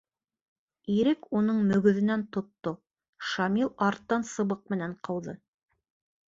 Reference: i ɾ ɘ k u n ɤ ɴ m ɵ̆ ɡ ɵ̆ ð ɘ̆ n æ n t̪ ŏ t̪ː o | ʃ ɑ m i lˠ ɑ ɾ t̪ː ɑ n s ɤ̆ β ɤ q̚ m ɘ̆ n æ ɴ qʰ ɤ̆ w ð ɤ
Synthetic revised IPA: i ɾ ɘ k u n ɤ ɴ m ɵ̆ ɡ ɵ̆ ð ɘ̆ n æ n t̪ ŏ t̪ː o | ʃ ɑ m i lˠ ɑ ɾ t̪ː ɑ n s ɤ̆ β ɤ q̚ m ɘ̆ n æ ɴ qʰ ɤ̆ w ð ɤ